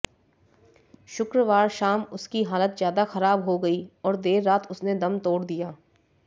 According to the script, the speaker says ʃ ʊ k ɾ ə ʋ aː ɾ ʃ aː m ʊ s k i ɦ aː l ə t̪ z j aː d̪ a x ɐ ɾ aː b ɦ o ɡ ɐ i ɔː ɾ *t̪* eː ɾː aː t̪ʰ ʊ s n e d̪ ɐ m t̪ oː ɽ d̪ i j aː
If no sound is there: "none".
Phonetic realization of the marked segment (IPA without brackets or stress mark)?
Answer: d̪